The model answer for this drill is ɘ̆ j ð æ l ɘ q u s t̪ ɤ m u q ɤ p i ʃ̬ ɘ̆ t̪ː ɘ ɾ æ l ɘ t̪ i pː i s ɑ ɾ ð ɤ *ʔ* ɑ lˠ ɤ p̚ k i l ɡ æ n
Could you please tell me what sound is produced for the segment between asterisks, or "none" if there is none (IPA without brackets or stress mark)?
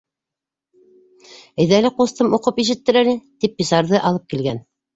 ʔ